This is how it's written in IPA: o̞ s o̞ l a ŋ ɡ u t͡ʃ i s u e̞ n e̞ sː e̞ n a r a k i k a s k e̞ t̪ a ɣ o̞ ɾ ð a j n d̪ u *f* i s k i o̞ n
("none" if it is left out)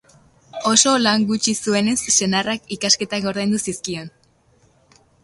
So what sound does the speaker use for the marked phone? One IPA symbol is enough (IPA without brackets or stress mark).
s